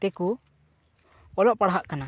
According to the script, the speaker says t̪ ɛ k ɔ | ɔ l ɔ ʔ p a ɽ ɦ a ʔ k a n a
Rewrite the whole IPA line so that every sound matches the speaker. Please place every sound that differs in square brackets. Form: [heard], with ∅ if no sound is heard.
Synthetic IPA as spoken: t̪ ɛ k [u] | ɔ l ɔ ʔ p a ɽ ɦ a ʔ k a n a